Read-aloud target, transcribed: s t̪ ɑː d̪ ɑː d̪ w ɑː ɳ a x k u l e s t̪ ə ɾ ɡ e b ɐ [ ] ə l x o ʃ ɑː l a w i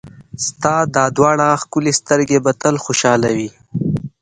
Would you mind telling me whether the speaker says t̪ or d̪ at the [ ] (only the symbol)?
t̪